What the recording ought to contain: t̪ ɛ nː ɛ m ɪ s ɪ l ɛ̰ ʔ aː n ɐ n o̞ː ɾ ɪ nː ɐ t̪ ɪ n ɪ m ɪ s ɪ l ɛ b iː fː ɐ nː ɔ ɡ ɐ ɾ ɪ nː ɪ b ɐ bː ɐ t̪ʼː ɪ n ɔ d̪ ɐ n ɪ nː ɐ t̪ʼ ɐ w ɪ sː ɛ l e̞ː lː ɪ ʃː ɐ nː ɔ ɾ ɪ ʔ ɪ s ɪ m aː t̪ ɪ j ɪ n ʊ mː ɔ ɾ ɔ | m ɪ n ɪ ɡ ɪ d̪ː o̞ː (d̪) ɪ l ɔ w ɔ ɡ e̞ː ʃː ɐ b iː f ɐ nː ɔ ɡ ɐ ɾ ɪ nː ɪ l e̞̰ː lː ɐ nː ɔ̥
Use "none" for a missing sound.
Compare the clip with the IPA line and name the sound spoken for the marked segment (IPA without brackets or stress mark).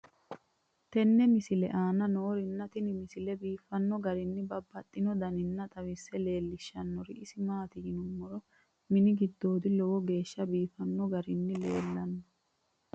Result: d̪